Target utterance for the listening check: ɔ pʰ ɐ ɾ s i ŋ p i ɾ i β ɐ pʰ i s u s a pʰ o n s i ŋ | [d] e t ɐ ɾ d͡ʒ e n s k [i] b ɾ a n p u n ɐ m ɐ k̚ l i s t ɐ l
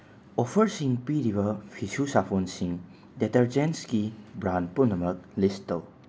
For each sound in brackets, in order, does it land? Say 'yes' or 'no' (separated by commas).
yes, yes